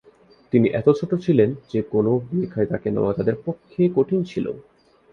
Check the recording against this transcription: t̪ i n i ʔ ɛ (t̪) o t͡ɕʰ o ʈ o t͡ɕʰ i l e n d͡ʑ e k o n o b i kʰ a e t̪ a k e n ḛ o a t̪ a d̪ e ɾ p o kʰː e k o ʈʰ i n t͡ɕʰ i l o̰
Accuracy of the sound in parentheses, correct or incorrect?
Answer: correct